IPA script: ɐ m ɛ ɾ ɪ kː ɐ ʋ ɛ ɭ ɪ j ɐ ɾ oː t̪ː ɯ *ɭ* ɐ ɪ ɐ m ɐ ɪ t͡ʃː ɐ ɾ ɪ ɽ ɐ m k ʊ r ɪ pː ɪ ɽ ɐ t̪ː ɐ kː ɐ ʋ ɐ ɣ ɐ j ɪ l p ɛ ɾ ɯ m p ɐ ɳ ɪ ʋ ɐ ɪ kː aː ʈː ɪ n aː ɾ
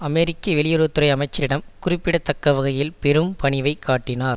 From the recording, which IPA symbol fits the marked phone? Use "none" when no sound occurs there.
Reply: ɾ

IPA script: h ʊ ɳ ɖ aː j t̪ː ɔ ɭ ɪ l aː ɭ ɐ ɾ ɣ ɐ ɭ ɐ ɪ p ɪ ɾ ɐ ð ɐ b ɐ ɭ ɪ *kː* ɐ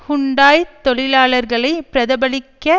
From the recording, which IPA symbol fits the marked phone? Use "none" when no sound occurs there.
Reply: kː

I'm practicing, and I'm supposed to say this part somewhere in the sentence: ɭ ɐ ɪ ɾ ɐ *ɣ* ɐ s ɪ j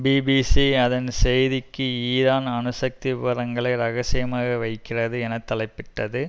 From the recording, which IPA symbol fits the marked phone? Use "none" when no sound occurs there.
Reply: ɣ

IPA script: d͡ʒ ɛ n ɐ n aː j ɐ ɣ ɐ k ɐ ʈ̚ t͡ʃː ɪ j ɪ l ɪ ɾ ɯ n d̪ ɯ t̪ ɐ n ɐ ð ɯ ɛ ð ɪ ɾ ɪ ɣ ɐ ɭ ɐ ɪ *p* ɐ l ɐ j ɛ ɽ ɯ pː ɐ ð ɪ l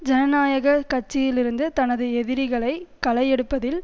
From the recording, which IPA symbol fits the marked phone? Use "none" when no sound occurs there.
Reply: k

